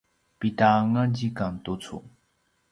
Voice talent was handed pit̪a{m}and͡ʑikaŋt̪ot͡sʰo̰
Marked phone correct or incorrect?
incorrect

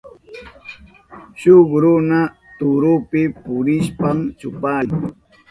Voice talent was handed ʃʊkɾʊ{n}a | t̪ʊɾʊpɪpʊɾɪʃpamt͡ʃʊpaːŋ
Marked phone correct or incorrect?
correct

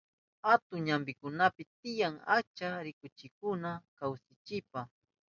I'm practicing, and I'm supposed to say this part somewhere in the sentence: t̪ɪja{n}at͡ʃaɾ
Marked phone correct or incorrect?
incorrect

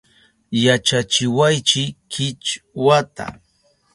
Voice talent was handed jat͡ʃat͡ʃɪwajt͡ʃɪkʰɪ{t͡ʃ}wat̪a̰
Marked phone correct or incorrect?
correct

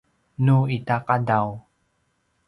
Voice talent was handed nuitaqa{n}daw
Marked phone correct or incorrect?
incorrect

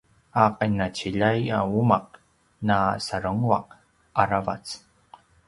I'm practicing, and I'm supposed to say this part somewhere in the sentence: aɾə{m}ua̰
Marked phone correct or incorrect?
incorrect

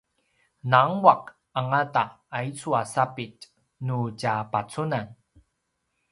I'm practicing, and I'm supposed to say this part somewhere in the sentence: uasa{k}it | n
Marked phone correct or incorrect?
incorrect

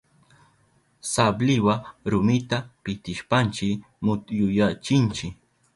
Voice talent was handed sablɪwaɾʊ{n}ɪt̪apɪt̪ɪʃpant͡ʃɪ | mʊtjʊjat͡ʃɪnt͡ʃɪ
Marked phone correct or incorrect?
incorrect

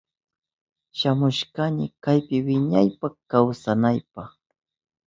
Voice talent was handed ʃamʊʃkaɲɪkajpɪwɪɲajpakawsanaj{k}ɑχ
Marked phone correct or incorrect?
incorrect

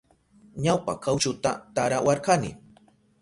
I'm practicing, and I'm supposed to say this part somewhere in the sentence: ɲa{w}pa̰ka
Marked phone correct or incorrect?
correct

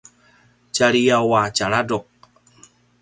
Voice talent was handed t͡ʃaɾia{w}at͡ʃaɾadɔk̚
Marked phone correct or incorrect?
correct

